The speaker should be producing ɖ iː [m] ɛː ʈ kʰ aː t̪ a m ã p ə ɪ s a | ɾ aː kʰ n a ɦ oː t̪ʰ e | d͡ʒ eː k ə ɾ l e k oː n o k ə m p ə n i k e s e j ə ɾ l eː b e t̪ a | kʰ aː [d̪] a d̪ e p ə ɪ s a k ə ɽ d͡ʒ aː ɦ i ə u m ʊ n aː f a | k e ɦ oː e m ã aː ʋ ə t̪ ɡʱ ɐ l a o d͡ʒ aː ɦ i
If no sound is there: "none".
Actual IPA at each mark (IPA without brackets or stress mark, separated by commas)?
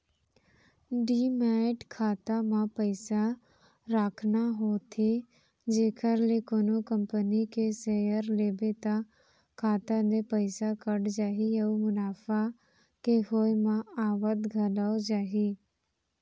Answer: m, t̪